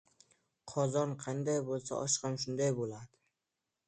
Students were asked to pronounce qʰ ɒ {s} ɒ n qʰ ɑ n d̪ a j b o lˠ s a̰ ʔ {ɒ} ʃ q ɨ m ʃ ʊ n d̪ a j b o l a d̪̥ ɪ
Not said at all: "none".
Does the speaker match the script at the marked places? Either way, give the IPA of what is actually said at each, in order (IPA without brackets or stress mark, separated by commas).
z, ɒ